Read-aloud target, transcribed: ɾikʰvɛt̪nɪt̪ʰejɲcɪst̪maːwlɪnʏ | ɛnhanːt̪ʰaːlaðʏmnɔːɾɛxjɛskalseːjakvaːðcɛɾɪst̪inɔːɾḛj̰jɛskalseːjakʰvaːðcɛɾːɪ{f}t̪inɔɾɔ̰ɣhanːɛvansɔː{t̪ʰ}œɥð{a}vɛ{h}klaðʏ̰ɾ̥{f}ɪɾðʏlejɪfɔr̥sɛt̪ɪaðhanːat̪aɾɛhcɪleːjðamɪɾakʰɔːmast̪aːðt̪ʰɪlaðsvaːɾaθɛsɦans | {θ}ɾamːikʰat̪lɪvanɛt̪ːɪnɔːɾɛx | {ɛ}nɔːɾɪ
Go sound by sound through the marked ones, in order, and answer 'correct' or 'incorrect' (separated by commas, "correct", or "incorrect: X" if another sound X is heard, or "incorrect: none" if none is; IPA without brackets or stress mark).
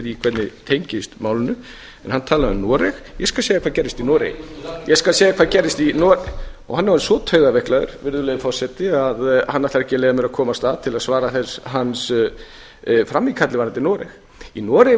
incorrect: s, correct, correct, correct, incorrect: v, incorrect: f, incorrect: i